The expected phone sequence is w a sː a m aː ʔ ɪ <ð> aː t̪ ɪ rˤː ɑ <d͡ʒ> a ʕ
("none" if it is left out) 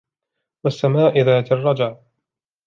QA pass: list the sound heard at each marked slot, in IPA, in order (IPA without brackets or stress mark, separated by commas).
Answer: ð, d͡ʒ